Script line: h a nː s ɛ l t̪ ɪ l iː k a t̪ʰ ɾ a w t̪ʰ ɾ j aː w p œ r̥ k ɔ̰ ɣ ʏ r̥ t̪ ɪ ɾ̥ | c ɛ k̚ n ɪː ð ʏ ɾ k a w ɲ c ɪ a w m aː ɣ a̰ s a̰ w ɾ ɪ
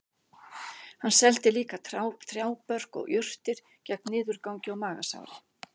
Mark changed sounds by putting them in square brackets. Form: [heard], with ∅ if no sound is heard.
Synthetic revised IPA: h a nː s ɛ l t̪ ɪ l iː k a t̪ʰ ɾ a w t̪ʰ ɾ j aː w p œ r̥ k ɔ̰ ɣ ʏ r̥ t̪ ɪ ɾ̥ | c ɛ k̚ n ɪː ð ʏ ɾ k a w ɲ c ɪ a w m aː ɣ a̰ s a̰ w ɾ ɪ